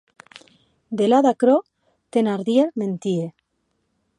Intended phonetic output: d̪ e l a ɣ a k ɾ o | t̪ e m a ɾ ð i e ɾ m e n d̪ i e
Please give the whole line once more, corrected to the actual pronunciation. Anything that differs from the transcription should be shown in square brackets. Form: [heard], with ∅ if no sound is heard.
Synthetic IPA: d̪ e l a [ð] a k ɾ o | t̪ e [n] a ɾ ð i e ɾ m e n [t̪] i e